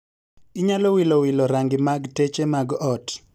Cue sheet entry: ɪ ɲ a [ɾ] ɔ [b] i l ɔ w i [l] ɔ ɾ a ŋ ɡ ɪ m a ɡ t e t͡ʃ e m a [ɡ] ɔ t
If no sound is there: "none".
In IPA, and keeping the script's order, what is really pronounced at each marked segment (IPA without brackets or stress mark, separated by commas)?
l, w, l, ɡ